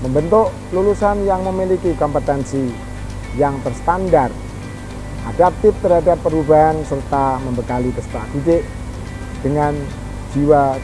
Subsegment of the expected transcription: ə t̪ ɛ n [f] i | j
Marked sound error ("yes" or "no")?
yes